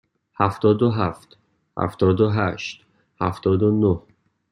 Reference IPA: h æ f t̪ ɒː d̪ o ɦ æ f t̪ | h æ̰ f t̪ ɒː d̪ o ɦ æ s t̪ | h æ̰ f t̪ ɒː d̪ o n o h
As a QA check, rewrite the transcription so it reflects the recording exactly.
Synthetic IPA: h æ f t̪ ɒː d̪ o ɦ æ f t̪ | h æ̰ f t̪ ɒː d̪ o ɦ æ ʃ t̪ | h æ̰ f t̪ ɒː d̪ o n o h